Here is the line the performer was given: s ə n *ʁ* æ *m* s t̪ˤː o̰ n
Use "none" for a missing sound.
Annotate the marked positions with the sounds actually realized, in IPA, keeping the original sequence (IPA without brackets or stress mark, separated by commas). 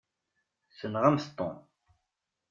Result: ʁ, m